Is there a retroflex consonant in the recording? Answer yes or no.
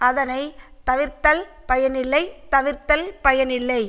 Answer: no